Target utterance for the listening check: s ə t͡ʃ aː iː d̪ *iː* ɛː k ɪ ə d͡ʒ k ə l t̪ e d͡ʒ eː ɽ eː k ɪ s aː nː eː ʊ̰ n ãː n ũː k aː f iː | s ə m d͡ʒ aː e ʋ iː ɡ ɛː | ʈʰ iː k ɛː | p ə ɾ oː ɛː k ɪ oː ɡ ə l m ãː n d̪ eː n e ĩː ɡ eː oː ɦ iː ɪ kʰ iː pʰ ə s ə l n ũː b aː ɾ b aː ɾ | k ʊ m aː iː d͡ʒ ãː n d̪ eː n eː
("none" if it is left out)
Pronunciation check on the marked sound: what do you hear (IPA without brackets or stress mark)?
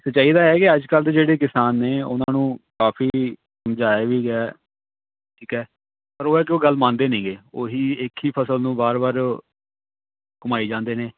aː